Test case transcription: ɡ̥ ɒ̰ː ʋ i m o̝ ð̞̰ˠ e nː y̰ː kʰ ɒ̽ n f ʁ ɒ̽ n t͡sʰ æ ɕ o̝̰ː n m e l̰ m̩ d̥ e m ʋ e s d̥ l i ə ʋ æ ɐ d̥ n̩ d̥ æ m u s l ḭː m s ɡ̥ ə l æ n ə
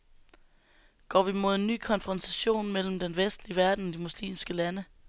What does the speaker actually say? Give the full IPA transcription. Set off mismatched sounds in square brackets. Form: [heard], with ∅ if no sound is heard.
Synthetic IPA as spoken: ɡ̥ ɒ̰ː ʋ i m o̝ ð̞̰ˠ e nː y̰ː kʰ ɒ̽ n f ʁ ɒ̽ n t͡sʰ æ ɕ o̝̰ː n m e l̰ m̩ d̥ e [n] ʋ e s d̥ l i ə ʋ æ ɐ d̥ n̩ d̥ [i] m u s l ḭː m s ɡ̥ ə l æ n ə